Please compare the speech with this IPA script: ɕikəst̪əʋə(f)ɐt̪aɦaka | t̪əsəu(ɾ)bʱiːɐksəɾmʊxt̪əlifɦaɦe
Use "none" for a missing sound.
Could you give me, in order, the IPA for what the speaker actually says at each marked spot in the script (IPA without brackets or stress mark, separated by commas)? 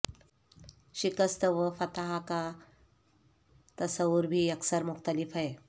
f, ɾ